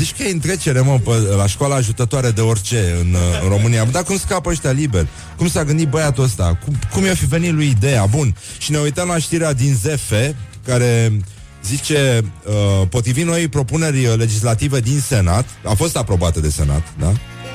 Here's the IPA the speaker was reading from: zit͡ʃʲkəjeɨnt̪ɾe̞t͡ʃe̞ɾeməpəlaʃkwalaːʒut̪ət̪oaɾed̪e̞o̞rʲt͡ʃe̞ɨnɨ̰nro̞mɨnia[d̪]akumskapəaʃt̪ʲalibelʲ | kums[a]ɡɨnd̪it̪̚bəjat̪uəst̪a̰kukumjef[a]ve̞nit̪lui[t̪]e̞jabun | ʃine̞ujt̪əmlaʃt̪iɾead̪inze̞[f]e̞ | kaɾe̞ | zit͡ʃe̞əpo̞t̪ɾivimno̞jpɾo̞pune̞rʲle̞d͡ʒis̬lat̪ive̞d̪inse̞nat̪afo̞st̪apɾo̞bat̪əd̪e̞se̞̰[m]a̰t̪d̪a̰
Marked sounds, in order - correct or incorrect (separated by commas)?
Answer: correct, correct, incorrect, incorrect, correct, incorrect